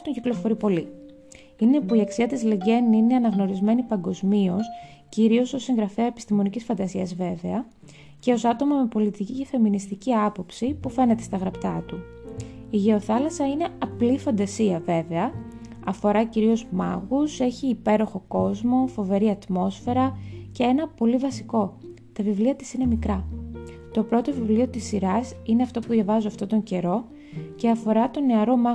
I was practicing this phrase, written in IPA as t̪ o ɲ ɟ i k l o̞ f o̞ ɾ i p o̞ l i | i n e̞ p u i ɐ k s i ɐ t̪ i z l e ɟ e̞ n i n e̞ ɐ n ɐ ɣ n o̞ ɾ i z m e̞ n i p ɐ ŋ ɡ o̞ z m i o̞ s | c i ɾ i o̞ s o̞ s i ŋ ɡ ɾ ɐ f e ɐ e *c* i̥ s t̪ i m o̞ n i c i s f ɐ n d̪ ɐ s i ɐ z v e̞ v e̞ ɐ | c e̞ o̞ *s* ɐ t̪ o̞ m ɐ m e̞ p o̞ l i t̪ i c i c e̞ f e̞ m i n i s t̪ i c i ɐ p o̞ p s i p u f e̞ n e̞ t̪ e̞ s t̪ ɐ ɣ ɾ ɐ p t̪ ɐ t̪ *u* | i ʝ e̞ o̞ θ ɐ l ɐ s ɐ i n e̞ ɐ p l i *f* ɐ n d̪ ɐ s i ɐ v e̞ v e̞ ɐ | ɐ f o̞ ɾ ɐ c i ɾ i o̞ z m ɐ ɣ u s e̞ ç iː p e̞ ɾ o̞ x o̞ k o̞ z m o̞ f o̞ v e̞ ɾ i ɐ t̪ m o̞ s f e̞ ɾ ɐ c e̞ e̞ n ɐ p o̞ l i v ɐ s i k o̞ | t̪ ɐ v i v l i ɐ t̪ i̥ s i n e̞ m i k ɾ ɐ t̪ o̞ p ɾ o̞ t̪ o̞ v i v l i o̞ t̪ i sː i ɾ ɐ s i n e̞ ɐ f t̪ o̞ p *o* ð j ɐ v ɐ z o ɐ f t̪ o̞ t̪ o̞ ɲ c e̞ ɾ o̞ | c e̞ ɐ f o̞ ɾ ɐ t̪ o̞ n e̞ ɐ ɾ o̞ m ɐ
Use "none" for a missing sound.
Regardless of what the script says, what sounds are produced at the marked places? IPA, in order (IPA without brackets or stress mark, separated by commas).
p, s, u, f, u